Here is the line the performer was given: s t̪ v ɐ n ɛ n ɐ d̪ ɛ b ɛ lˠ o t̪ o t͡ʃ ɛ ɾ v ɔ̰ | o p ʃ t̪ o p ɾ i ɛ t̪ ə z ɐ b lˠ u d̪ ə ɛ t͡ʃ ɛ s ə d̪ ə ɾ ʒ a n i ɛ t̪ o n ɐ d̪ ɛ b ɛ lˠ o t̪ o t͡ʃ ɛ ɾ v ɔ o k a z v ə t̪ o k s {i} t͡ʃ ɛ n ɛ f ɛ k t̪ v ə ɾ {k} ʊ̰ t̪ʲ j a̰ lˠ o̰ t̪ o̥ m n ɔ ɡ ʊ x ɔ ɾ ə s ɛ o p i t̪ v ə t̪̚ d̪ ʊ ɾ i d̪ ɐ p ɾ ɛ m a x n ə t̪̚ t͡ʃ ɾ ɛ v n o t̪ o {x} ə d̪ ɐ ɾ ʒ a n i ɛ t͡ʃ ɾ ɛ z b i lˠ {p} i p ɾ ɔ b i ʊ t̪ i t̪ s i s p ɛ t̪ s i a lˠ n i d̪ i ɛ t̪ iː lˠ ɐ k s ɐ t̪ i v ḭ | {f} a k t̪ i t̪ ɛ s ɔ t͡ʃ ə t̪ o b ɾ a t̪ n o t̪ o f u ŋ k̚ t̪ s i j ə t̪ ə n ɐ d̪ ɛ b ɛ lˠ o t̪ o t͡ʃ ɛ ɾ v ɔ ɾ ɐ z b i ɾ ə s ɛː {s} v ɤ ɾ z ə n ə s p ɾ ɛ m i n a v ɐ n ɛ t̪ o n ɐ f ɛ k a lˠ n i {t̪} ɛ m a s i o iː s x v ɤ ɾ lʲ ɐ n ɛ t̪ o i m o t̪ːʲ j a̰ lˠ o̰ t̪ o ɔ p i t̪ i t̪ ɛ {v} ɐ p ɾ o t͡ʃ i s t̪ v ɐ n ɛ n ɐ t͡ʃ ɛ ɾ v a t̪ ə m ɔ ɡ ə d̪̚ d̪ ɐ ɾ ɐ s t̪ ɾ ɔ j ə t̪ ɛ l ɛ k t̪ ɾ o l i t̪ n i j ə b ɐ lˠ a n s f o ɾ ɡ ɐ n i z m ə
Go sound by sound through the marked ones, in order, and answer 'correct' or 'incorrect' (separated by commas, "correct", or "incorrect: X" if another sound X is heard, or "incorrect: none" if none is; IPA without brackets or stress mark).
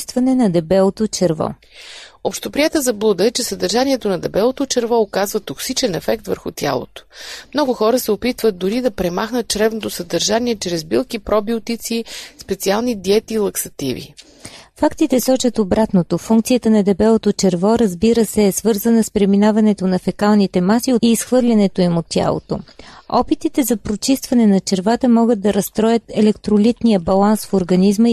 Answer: correct, incorrect: x, incorrect: s, incorrect: k, correct, correct, correct, incorrect: z